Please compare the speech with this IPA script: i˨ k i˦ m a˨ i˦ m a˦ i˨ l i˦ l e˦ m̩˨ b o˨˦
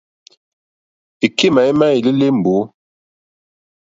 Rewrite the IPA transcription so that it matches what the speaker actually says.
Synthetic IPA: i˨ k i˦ m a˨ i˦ m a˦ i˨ l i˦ l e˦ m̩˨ b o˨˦